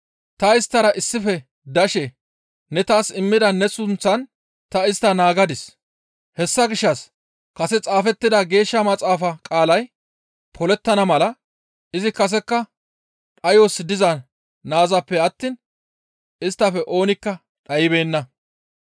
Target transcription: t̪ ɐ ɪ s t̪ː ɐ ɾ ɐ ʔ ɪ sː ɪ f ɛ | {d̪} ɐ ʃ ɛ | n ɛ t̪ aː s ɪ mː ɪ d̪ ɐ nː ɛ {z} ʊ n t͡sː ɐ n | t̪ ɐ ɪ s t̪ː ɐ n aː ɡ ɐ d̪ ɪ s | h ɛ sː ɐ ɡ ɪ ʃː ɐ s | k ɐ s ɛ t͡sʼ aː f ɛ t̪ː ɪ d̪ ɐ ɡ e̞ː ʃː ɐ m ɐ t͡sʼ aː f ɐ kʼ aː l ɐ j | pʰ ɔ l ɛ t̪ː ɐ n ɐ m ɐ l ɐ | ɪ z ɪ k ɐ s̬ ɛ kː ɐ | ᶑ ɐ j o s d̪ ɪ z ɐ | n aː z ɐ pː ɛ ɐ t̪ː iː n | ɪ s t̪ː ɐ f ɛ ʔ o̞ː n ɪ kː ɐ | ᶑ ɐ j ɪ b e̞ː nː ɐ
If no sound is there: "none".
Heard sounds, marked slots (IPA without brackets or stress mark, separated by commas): d̪, s